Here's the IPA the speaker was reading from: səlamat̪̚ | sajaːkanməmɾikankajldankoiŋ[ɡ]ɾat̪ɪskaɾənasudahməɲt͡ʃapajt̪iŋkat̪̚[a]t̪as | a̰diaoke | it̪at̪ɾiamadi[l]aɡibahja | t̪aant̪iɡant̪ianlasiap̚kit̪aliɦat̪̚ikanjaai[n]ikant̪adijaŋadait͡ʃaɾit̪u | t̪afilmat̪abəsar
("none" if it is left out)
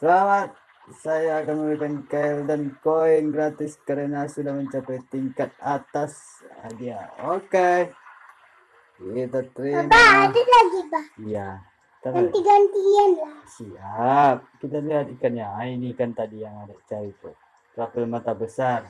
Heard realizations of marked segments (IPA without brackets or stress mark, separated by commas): ɡ, a, l, n